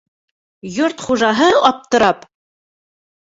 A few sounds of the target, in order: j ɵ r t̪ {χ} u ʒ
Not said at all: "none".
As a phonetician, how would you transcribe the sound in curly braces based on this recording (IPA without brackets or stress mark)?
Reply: χ